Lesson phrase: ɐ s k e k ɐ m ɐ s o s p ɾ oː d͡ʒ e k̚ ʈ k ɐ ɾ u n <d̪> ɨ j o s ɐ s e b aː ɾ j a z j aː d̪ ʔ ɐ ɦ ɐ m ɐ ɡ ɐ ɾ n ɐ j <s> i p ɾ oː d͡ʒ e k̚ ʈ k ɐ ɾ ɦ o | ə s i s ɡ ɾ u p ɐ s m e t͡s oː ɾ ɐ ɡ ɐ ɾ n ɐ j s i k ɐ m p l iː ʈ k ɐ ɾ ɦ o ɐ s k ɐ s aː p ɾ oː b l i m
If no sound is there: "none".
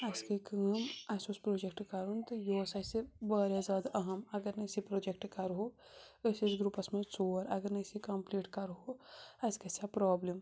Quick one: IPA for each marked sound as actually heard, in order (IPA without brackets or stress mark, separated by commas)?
t̪, s